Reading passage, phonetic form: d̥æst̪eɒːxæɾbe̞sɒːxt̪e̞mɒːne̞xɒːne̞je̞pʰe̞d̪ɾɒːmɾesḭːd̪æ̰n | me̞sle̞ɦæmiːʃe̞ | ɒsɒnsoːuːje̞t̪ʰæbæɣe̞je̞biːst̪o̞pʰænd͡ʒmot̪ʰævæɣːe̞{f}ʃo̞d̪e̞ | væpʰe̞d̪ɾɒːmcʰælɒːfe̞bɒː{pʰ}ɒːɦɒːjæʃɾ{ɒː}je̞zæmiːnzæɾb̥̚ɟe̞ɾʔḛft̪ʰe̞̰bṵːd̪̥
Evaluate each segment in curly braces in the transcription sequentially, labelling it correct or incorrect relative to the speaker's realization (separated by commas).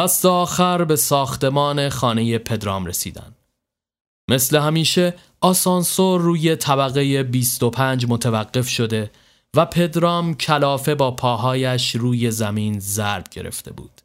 correct, correct, incorrect